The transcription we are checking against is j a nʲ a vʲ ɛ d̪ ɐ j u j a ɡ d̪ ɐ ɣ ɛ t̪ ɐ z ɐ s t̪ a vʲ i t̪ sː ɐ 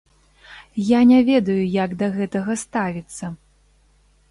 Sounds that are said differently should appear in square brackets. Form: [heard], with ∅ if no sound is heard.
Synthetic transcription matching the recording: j a nʲ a vʲ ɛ d̪ ɐ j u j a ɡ d̪ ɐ ɣ ɛ t̪ ɐ [ɣ] ɐ s t̪ a vʲ i t̪ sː ɐ